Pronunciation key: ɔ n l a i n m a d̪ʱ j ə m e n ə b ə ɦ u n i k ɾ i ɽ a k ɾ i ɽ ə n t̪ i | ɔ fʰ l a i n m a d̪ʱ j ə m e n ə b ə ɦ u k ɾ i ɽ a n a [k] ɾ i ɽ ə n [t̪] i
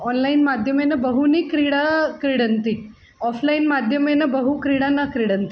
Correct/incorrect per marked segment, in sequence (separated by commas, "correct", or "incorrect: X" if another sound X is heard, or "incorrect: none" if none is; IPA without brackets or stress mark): correct, correct